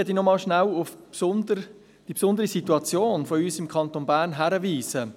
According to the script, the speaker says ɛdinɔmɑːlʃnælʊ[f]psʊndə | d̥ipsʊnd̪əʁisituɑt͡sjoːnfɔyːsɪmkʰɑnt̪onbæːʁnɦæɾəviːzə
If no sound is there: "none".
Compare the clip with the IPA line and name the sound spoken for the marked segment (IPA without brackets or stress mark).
f